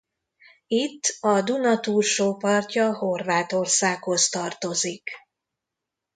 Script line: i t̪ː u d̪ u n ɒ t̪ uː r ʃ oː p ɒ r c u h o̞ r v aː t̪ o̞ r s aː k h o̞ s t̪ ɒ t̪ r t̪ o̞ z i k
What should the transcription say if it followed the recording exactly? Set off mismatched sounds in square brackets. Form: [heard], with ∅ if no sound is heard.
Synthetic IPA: i t̪ː [ɒ] d̪ u n ɒ t̪ uː r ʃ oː p ɒ r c [ɒ] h o̞ r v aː t̪ o̞ r s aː k h o̞ s t̪ ɒ [∅] r t̪ o̞ z i k